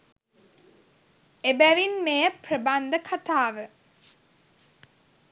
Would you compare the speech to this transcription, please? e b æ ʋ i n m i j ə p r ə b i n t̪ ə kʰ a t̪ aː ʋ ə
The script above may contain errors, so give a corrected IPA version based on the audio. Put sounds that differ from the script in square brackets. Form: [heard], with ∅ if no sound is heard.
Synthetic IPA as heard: e b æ ʋ i n m [e] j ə p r ə b [a] n [d̪] ə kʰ a t̪ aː ʋ ə